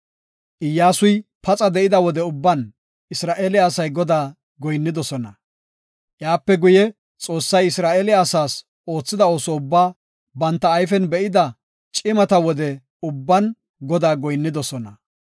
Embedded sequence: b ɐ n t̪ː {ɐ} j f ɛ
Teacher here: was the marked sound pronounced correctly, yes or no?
no